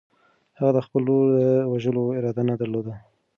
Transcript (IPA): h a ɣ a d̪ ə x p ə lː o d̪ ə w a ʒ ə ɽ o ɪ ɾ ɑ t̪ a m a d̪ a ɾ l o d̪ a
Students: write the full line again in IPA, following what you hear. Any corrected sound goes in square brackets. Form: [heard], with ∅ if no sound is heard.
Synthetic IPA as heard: h a ɣ a d̪ ə x p ə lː o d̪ ə w a ʒ ə [l] o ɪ ɾ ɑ [d̪] a [n] a d̪ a ɾ l o d̪ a